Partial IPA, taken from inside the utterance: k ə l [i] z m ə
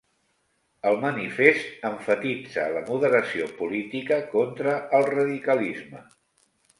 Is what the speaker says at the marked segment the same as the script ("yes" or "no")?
yes